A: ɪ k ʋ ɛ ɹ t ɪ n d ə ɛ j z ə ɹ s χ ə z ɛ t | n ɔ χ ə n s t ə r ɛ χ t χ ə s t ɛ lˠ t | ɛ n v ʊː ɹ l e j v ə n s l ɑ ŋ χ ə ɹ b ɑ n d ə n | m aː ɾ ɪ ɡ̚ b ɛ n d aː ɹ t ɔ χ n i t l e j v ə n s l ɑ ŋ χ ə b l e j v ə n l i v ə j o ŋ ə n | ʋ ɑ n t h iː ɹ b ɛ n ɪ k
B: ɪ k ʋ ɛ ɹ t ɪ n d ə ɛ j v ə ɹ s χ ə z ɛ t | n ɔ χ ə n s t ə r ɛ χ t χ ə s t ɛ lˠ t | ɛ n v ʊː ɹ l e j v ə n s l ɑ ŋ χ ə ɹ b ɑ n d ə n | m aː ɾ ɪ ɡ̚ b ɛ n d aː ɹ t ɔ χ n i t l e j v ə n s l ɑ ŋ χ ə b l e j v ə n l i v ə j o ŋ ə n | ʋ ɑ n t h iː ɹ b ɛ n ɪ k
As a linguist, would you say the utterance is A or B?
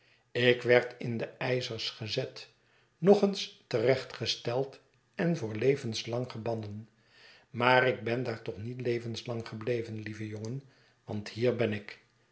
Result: A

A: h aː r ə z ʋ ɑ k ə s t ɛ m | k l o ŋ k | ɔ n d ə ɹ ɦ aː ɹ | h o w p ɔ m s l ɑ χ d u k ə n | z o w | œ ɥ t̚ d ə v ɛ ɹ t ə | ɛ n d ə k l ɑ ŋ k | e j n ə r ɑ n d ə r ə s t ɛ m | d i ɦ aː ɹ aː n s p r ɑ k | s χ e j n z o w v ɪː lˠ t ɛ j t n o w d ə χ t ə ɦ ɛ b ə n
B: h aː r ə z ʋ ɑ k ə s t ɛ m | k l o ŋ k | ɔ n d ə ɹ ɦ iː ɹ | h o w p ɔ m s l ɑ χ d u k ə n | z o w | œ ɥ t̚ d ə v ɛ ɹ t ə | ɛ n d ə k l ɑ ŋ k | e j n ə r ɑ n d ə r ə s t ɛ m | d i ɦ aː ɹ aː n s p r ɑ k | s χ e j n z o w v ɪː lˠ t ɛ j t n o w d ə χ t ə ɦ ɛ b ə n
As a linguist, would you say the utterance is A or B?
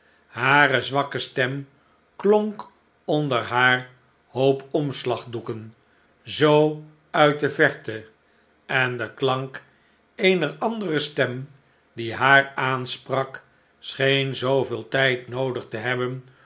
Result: A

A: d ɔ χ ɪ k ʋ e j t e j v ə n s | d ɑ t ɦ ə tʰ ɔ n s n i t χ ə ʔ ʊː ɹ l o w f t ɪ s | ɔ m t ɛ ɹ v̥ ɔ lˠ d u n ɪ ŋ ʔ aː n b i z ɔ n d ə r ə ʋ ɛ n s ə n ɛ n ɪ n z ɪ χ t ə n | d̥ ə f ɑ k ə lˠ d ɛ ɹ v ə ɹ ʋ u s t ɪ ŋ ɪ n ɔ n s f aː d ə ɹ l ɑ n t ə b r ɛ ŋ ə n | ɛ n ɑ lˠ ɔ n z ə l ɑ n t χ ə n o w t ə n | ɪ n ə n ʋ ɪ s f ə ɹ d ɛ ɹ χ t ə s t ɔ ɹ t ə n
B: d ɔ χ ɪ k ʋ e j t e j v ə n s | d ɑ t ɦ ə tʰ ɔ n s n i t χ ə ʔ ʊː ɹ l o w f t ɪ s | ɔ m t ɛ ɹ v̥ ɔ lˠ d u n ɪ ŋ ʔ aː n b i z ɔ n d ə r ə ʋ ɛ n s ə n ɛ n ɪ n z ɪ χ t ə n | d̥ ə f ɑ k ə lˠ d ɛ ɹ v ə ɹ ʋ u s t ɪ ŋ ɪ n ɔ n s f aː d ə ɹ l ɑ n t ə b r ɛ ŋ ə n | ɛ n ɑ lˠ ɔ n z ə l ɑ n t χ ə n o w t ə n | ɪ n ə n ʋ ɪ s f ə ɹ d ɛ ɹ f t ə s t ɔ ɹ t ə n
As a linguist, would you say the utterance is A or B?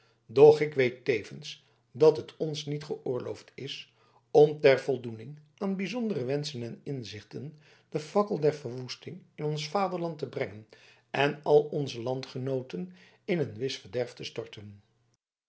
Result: B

